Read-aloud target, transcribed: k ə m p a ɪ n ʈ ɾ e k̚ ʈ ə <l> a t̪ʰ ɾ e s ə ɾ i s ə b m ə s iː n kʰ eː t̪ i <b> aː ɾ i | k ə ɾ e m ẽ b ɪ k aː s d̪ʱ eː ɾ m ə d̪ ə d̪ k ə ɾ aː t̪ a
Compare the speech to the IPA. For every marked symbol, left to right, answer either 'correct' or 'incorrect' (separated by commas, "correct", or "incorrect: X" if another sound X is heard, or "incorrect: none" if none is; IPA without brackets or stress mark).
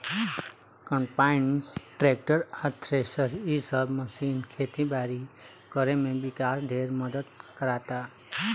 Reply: incorrect: ɾ, correct